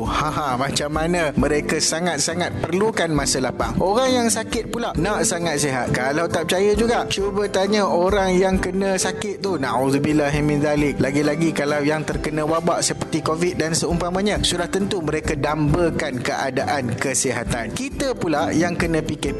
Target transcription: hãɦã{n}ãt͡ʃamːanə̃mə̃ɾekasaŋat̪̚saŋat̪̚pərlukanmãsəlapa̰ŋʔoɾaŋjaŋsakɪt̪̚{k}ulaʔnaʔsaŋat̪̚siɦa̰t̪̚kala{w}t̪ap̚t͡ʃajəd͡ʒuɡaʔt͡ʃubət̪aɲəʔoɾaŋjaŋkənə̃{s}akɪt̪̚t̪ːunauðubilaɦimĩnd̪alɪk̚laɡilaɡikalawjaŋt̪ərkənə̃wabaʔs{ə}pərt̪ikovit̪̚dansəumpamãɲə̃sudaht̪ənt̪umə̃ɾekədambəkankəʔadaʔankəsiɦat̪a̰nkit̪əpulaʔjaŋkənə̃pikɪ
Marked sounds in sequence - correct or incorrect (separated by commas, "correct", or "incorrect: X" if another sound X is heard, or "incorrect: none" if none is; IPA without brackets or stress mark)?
incorrect: m, incorrect: p, correct, correct, correct